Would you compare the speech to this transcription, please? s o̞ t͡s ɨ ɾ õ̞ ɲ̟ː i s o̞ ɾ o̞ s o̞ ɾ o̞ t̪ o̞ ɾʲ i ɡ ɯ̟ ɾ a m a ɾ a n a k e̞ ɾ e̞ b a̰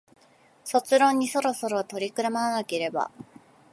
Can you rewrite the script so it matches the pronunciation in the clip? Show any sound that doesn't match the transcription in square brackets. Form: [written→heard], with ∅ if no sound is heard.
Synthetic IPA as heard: s o̞ t͡s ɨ ɾ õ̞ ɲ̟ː i s o̞ ɾ o̞ s o̞ ɾ o̞ t̪ o̞ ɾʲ i [ɡ→k] ɯ̟ ɾ a m a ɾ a n a k e̞ ɾ e̞ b a̰